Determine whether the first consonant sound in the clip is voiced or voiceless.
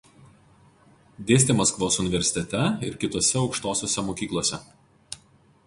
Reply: voiced